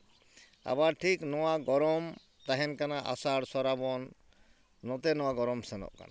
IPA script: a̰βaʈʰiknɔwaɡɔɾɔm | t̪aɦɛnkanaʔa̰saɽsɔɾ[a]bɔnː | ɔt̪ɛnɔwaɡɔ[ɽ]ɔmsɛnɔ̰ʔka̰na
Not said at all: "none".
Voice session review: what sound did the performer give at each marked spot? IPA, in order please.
a, ɾ

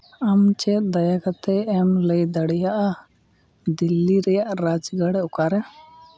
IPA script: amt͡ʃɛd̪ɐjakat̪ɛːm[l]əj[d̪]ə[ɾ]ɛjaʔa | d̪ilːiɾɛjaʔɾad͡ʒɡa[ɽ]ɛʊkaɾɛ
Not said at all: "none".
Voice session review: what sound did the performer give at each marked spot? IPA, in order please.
l, d̪, ɽ, ɽ

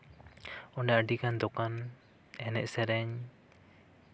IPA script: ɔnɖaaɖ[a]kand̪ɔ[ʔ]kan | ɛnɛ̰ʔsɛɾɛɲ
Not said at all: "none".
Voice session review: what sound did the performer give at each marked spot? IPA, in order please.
i, none

